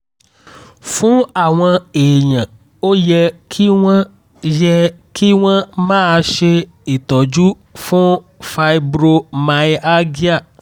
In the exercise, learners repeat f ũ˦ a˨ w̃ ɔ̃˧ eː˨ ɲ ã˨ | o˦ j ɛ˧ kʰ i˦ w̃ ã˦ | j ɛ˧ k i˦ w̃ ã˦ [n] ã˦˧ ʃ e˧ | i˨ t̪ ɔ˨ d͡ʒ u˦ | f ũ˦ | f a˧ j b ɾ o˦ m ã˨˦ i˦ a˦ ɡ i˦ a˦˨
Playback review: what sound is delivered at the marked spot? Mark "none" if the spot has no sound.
m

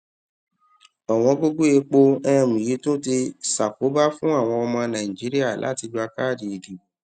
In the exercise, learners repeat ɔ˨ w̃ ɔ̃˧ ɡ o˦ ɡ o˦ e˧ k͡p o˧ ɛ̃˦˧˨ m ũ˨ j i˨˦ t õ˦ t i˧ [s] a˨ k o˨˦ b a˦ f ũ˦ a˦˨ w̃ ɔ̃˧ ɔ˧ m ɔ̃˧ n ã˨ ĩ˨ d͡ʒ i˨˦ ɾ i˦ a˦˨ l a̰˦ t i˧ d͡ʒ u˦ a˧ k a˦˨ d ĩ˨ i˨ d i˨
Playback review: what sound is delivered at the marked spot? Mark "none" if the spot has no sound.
s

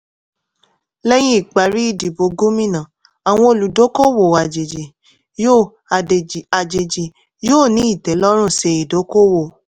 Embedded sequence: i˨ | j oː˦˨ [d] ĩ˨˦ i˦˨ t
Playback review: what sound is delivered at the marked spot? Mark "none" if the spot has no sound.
n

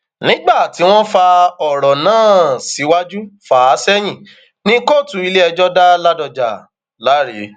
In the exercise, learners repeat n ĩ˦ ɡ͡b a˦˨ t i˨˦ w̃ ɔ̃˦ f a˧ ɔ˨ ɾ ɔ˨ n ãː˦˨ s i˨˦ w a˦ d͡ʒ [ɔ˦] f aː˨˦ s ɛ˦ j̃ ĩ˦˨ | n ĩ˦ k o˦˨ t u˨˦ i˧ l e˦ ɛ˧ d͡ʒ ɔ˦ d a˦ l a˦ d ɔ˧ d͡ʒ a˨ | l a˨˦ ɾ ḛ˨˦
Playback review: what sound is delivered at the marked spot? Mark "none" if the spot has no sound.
u˦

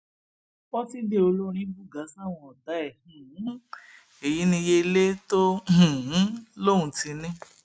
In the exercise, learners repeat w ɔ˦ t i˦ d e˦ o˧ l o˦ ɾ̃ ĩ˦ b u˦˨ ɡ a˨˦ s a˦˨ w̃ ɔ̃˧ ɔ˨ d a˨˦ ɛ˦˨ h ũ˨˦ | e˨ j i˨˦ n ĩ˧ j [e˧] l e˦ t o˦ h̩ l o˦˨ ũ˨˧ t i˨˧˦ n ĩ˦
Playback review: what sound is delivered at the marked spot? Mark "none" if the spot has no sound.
e˧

